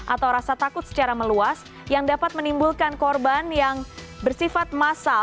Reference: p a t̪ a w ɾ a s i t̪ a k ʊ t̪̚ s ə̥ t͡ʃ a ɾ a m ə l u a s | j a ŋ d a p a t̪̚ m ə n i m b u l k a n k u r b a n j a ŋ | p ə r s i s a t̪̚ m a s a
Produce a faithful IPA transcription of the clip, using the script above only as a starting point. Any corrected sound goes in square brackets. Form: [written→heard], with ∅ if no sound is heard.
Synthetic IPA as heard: [p→ʔ] a t̪ a w ɾ a s [i→a] t̪ a k ʊ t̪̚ s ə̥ t͡ʃ a ɾ a m ə l u a s | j a ŋ d a p a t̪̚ m ə n i m b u l k a n k [u→ɔ] r b a n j a ŋ | [p→b] ə r s i [s→f] a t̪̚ m a s a